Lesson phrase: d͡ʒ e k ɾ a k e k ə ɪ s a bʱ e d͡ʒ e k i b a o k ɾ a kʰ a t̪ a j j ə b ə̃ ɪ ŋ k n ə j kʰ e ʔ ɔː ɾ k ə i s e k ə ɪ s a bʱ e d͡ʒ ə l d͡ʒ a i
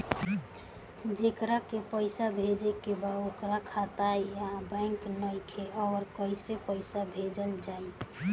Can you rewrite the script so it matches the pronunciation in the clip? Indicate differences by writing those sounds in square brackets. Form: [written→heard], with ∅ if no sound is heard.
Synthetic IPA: d͡ʒ e k ɾ a k e [k→p] ə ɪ s a bʱ e d͡ʒ e k [i→e] b a o k ɾ a kʰ a t̪ a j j [ə→a] b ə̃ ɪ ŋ k n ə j kʰ e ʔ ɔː ɾ k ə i s e [k→p] ə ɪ s a bʱ e d͡ʒ ə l d͡ʒ a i